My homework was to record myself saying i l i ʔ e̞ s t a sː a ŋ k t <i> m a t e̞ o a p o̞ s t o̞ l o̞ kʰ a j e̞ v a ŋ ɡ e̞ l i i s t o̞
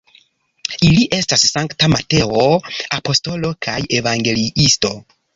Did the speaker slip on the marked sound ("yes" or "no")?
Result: yes